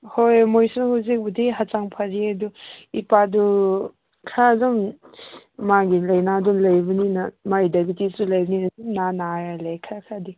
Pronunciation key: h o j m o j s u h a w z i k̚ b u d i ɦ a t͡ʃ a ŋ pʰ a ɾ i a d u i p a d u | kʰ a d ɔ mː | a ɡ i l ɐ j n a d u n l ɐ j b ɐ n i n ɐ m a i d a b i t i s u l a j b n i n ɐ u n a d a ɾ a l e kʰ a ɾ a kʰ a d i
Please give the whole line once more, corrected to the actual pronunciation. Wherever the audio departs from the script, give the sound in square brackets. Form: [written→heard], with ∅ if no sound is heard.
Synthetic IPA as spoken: h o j m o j s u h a w z i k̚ b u d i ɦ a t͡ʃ a ŋ pʰ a ɾ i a d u i p a d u | kʰ a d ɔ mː | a ɡ i l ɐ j n a d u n l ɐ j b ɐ n i n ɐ m a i d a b i t i s u l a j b n i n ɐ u n a [d→n] a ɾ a l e kʰ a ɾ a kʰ a d i